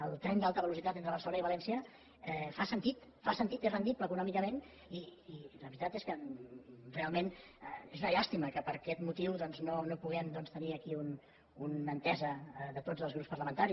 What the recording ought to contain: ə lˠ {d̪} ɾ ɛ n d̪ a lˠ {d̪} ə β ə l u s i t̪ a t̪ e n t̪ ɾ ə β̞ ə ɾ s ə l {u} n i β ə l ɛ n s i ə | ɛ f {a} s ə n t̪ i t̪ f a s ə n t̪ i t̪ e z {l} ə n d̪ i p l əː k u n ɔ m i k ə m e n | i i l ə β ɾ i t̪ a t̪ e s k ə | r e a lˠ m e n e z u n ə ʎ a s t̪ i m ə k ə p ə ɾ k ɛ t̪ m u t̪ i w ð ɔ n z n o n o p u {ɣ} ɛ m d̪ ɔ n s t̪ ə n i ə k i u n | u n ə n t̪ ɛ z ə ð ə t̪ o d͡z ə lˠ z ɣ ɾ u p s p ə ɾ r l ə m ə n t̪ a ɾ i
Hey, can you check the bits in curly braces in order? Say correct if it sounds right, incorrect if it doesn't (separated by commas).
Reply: incorrect, incorrect, incorrect, correct, incorrect, correct